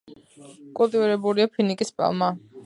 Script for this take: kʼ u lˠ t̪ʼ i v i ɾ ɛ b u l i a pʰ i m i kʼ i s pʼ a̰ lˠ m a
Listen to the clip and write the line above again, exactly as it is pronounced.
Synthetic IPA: kʼ u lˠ t̪ʼ i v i ɾ ɛ b u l i a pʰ i n i kʼ i s pʼ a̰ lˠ m a